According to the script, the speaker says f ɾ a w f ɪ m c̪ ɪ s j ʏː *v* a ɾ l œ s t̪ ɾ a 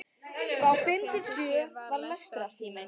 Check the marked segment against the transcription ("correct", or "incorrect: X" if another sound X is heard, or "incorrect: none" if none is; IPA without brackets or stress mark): correct